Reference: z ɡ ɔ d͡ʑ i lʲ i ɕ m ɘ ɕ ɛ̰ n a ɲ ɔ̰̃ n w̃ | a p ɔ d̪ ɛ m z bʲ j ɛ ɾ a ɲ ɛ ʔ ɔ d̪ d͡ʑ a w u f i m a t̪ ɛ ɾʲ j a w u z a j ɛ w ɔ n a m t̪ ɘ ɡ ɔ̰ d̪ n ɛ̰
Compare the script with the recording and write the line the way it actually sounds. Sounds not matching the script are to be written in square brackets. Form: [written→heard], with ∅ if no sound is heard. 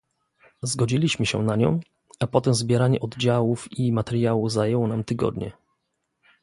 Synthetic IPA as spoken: z ɡ ɔ d͡ʑ i lʲ i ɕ m ɘ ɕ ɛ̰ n a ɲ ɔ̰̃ [n→∅] w̃ | a p ɔ [d̪→t̪] ɛ m z bʲ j ɛ ɾ a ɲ ɛ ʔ ɔ d̪ d͡ʑ a w u f i m a t̪ ɛ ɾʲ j a w u z a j ɛ w ɔ n a m t̪ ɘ ɡ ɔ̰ d̪ [n→ɲ] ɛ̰

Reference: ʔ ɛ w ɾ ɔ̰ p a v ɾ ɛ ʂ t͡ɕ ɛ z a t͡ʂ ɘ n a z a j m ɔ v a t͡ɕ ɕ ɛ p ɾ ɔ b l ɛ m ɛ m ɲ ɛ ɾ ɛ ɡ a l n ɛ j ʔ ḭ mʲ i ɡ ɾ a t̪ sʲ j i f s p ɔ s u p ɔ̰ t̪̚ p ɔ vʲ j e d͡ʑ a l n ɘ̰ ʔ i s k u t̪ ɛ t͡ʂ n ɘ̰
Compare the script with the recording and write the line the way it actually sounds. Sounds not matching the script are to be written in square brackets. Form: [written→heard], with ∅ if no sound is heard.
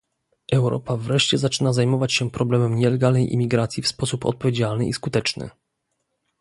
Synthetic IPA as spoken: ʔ ɛ w ɾ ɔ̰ p a v ɾ ɛ ʂ t͡ɕ ɛ z a t͡ʂ ɘ n a z a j m ɔ v a t͡ɕ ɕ ɛ p ɾ ɔ b l ɛ m ɛ m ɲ ɛ [ɾ→l] ɛ ɡ a l n ɛ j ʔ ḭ mʲ i ɡ ɾ a t̪ sʲ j i f s p ɔ s u p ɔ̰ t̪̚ p ɔ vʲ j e d͡ʑ a l n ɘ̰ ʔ i s k u t̪ ɛ t͡ʂ n ɘ̰

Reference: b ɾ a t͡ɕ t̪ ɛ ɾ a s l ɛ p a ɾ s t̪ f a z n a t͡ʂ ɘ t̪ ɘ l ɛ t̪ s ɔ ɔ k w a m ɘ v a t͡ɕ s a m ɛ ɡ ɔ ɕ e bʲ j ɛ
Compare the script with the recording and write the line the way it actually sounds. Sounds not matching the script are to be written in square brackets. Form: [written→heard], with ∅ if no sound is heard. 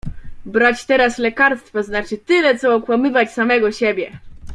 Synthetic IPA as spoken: b ɾ a t͡ɕ t̪ ɛ ɾ a s l ɛ [p→k] a ɾ s t̪ f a z n a t͡ʂ ɘ t̪ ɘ l ɛ t̪ s ɔ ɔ k w a m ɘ v a t͡ɕ s a m ɛ ɡ ɔ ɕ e bʲ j ɛ

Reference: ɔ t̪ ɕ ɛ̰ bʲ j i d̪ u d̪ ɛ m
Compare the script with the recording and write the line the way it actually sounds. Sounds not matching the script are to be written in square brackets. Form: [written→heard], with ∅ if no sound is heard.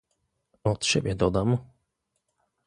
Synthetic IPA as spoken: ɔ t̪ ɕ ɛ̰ bʲ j [i→ɛ] d̪ [u→ɔ] d̪ [ɛ→a] m

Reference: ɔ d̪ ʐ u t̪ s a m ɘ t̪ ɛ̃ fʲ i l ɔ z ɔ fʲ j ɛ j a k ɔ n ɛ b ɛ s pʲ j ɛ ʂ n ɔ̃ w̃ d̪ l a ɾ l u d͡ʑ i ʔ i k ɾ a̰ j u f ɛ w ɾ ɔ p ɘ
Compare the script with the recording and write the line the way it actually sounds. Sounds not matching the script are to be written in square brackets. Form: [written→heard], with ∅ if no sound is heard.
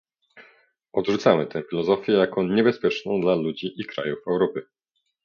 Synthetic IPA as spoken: ɔ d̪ ʐ u t̪ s a m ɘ t̪ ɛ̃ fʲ i l ɔ z ɔ fʲ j ɛ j a k ɔ [n→ɲ] ɛ b ɛ s pʲ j ɛ [ʂ→t͡ʂ] n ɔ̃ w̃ d̪ l a [ɾ→∅] l u d͡ʑ i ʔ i k ɾ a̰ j u f ɛ w ɾ ɔ p ɘ

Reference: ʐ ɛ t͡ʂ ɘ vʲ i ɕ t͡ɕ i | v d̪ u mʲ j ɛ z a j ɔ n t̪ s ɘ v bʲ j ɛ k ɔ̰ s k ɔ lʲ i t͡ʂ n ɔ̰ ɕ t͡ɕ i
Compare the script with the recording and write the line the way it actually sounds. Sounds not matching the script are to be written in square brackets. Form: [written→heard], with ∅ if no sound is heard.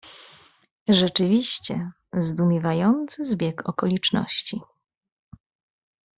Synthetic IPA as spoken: ʐ ɛ t͡ʂ ɘ vʲ i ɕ t͡ɕ [i→ɛ] | [v→z] d̪ u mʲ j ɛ [z→v] a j ɔ n t̪ s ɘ [v→z] bʲ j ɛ k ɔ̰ [s→∅] k ɔ lʲ i t͡ʂ n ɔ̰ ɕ t͡ɕ i

